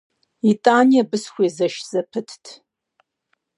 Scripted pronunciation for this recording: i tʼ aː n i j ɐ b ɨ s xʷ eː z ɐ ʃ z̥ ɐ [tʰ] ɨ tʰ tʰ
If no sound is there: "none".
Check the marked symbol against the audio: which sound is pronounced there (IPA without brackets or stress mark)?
pʰ